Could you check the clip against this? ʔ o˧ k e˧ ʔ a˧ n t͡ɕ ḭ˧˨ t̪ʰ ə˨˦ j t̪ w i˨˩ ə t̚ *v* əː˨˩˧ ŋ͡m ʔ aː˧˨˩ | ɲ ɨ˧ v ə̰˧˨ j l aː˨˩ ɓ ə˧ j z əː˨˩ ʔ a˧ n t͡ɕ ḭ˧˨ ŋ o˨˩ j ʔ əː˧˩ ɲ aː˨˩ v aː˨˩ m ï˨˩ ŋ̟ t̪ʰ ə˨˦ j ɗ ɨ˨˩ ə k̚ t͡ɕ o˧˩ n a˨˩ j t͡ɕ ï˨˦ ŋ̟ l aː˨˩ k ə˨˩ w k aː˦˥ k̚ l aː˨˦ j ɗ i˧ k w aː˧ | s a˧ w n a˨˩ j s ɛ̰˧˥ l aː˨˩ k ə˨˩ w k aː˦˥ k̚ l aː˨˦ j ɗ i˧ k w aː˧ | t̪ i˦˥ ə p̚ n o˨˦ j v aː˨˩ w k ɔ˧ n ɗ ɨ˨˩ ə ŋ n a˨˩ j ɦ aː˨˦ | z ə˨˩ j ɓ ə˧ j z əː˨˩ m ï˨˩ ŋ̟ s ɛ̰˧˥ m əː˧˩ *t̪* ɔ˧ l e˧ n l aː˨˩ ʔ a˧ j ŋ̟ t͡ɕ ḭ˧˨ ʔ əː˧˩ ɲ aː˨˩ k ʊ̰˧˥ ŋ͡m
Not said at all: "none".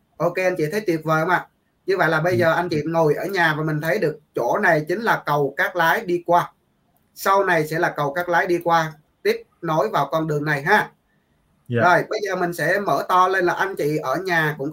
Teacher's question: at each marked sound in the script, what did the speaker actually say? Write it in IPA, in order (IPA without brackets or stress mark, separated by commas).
v, t̪